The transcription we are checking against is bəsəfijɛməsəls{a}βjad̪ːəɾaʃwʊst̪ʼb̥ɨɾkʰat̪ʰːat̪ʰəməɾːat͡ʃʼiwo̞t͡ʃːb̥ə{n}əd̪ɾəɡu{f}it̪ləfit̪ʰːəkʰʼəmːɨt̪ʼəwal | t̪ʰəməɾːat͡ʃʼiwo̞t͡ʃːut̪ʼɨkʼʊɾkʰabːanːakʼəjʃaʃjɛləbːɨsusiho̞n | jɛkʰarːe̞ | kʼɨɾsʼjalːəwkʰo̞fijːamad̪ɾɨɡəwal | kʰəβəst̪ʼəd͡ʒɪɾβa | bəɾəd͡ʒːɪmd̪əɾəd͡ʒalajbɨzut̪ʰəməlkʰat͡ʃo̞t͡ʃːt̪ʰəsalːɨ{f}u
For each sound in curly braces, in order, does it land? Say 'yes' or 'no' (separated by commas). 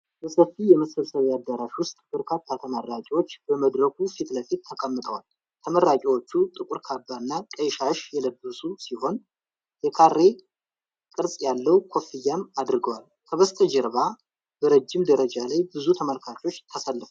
no, no, yes, yes